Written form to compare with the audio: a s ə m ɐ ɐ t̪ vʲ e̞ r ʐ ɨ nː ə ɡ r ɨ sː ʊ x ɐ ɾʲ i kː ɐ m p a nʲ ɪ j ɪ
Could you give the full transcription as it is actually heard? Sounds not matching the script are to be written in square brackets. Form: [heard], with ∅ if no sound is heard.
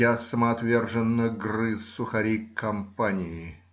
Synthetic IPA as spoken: a s ə m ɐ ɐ t̪ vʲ e̞ r ʐ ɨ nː ə ɡ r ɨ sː ʊ x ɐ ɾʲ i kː ɐ m p a nʲ ɪ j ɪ